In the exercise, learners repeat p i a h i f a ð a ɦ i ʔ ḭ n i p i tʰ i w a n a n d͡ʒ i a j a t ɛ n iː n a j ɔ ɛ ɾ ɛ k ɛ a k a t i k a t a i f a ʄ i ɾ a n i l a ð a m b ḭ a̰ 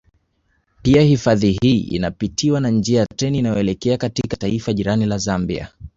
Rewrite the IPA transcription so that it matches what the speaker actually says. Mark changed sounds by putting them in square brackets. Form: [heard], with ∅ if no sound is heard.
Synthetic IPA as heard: p i a h i f a ð [i] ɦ i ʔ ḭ n [a] p i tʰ i w a n a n d͡ʒ i a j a t ɛ n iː n a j ɔ ɛ [l] ɛ k ɛ a k a t i k a t a i f a ʄ i ɾ a n i l a [z] a m b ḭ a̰